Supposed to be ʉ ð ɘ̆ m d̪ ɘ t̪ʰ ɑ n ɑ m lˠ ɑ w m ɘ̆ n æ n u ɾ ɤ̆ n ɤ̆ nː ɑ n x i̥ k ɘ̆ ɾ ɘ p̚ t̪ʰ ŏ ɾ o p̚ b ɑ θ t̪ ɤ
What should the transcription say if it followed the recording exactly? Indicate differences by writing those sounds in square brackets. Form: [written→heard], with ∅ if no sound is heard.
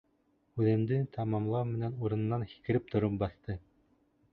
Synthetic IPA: ʉ ð ɘ̆ m d̪ ɘ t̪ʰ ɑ [n→m] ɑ m lˠ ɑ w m ɘ̆ n æ n u ɾ ɤ̆ n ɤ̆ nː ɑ n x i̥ k ɘ̆ ɾ ɘ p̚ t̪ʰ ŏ ɾ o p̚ b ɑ θ t̪ ɤ